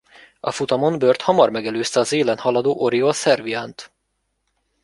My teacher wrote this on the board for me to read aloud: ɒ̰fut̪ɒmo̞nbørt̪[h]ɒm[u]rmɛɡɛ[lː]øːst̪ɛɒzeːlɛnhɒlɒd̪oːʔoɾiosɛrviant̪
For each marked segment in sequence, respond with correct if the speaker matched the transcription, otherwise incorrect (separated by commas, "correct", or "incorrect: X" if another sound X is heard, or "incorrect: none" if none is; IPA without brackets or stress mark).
correct, incorrect: ɒ, incorrect: l